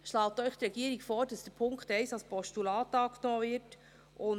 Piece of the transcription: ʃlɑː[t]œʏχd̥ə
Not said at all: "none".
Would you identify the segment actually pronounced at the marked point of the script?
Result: t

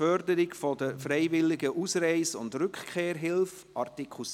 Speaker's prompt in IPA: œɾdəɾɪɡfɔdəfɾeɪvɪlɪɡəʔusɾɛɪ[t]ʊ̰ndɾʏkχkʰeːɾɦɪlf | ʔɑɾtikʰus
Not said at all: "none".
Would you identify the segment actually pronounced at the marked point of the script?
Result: s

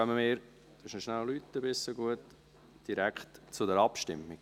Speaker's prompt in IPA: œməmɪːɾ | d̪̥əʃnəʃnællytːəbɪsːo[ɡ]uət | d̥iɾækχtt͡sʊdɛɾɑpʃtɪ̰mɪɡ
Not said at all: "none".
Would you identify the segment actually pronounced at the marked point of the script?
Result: ɡ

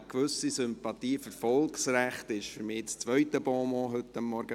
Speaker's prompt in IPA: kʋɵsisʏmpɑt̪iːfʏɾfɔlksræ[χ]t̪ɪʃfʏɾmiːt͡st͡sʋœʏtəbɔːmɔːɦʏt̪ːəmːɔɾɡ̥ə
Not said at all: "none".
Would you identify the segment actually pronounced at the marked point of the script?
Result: χ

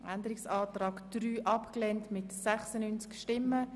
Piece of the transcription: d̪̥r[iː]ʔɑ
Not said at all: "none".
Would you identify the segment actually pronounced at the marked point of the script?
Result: yː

